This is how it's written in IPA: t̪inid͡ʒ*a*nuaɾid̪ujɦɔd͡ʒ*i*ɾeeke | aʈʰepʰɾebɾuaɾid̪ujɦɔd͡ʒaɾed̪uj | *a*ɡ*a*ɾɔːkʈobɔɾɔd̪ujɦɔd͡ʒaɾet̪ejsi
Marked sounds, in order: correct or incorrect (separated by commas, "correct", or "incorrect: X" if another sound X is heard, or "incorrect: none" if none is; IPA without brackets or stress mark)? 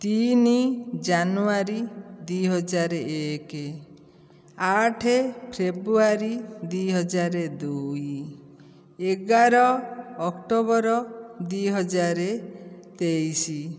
correct, incorrect: a, incorrect: e, correct